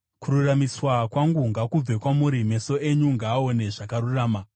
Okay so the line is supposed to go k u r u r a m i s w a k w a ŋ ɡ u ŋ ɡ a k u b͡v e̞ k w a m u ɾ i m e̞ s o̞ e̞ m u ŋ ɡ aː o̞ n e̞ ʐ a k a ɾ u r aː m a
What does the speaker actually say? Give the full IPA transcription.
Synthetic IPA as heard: k u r u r a m i s w a k w a ŋ ɡ u ŋ ɡ a k u b͡v e̞ k w a m u ɾ i m e̞ s o̞ e̞ ɲ u ŋ ɡ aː o̞ n e̞ ʐ a k a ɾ u r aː m a